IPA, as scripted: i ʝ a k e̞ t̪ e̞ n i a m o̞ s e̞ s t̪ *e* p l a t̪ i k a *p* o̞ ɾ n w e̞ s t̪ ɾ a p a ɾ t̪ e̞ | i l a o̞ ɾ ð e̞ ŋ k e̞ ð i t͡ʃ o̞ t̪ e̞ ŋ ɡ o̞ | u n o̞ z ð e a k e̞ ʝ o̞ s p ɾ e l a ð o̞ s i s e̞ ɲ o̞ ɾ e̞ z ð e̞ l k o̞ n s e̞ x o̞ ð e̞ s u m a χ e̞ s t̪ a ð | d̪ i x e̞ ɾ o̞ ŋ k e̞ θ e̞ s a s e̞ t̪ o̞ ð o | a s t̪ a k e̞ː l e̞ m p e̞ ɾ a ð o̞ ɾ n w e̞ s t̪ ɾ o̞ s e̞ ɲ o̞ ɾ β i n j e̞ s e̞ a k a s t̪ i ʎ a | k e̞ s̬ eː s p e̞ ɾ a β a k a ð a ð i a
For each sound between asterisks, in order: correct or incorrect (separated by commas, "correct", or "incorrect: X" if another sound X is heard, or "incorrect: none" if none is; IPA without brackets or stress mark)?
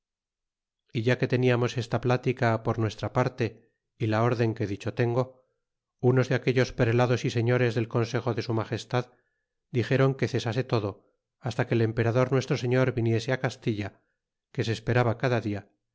incorrect: a, correct